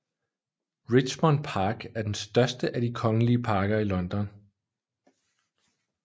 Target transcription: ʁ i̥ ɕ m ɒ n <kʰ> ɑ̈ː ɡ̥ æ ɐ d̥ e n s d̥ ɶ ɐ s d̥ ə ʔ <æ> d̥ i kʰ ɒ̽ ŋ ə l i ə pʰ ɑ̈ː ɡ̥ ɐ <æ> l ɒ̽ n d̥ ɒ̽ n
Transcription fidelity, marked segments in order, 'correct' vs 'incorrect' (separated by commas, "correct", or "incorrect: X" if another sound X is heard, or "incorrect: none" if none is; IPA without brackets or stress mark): incorrect: pʰ, correct, incorrect: i